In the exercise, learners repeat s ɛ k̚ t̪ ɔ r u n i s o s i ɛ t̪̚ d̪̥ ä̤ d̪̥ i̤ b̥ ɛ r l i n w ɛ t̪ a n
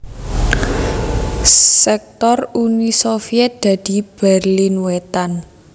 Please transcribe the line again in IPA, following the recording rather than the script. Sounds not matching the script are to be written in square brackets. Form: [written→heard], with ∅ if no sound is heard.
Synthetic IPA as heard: s ɛ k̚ t̪ ɔ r u n i s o [s→f] i ɛ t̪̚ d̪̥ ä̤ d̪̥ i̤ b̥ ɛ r l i n w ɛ t̪ a n